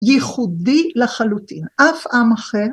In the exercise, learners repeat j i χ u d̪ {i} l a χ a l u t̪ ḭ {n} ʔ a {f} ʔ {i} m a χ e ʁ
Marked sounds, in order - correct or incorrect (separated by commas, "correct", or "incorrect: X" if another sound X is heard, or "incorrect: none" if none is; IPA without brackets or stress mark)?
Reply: correct, correct, correct, incorrect: a